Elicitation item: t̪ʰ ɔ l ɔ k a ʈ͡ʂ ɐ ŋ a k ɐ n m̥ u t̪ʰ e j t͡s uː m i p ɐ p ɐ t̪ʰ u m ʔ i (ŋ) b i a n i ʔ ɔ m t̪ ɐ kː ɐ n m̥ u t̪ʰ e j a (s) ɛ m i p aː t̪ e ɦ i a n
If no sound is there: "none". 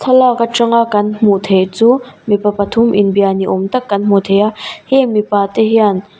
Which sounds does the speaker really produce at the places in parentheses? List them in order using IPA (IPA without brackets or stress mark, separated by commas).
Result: n, h